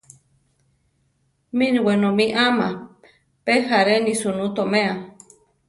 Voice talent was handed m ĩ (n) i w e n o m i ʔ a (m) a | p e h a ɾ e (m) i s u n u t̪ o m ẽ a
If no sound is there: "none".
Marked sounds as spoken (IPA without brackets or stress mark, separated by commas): n, m, n